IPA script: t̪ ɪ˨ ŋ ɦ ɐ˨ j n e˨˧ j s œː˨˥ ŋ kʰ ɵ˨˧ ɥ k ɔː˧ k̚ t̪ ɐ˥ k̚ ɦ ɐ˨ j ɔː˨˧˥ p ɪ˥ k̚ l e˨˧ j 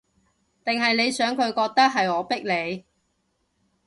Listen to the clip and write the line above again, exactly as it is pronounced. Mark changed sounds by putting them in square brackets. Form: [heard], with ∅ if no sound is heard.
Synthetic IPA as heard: t̪ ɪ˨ ŋ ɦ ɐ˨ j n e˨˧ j s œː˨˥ ŋ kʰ ɵ˨˧ ɥ k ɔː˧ k̚ t̪ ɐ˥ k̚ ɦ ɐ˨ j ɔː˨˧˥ p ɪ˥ k̚ l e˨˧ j